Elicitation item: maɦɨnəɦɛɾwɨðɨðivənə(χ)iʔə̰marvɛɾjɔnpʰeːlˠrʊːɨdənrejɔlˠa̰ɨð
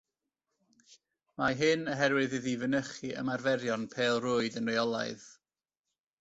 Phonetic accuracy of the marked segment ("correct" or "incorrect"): correct